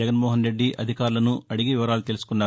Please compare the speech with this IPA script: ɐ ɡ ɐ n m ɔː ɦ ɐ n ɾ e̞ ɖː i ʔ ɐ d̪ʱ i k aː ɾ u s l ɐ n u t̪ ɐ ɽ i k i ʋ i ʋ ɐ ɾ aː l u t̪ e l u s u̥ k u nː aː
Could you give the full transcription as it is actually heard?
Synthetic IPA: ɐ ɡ ɐ n m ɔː ɦ ɐ n ɾ e̞ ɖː i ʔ ɐ d̪ʱ i k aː ɾ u l ɐ n u ɐ ɽ i ɡ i ʋ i ʋ ɐ ɾ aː l u t̪ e l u s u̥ k u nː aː